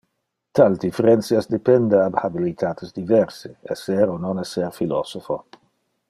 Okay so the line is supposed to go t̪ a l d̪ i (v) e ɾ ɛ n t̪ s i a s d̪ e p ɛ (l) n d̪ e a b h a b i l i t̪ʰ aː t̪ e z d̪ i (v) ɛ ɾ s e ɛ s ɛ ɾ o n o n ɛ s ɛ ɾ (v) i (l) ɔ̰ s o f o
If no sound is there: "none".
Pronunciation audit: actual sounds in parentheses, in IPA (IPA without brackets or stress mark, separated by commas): f, none, v, f, l